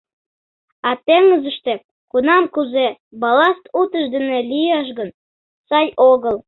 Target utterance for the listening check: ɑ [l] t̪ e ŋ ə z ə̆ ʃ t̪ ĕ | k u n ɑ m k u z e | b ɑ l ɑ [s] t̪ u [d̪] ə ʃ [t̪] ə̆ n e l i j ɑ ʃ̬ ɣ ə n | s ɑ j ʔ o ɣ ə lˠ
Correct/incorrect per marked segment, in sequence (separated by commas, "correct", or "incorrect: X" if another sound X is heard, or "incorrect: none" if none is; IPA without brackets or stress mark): incorrect: none, correct, incorrect: t̪, incorrect: d̪